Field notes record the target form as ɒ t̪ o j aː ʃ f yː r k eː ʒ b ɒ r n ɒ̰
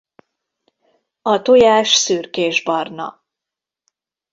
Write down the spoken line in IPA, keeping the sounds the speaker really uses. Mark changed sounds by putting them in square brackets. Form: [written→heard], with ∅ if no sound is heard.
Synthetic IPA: ɒ t̪ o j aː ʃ [f→s] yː r k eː ʒ b ɒ r n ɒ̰